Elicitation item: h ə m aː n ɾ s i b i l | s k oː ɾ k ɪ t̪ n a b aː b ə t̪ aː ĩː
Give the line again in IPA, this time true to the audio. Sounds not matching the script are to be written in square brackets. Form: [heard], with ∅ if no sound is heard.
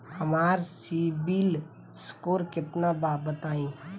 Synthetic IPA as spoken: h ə m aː [∅] ɾ s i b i l | s k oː ɾ k ɪ t̪ n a b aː b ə t̪ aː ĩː